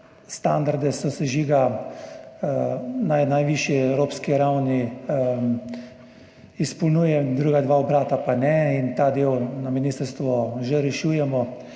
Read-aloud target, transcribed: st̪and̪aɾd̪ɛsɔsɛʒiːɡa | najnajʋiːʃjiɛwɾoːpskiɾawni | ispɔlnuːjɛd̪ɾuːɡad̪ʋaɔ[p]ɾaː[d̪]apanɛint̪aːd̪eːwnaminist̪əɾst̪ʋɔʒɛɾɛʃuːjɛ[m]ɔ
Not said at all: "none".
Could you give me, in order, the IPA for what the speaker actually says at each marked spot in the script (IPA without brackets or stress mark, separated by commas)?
b, t̪, m